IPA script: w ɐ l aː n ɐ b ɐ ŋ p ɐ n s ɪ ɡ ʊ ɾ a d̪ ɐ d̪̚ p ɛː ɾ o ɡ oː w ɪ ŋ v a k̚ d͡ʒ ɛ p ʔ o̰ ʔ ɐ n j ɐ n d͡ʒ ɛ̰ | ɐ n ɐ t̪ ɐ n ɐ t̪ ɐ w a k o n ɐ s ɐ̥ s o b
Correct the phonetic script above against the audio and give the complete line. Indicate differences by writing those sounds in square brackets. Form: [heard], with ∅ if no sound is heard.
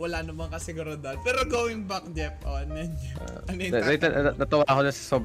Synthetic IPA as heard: w ɐ l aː n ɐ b ɐ ŋ [k] ɐ [∅] s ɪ ɡ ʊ ɾ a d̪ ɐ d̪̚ p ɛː ɾ o ɡ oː w ɪ ŋ [b] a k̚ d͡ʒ ɛ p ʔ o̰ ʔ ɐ n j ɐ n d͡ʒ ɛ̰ | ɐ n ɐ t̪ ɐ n ɐ t̪ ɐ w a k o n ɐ s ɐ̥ s o b